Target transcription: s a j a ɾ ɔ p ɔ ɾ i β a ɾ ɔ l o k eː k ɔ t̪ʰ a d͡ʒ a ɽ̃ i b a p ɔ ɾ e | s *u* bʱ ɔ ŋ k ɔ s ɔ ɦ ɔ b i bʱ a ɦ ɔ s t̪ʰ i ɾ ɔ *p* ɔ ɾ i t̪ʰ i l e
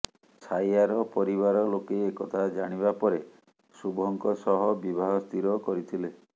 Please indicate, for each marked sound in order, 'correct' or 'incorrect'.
correct, incorrect: k

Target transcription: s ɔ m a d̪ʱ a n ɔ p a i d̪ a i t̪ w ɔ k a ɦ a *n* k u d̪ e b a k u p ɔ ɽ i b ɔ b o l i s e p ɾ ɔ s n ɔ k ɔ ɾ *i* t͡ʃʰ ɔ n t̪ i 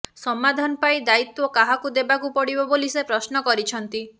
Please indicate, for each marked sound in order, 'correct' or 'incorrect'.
incorrect: none, correct

